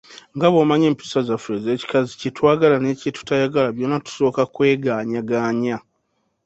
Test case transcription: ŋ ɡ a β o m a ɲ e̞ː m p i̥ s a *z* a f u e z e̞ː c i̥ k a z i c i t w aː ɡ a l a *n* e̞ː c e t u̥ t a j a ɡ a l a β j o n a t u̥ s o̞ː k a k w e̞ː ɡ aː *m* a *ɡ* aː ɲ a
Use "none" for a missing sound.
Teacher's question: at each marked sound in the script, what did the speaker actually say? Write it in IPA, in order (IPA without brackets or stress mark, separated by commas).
z, n, ɲ, ɡ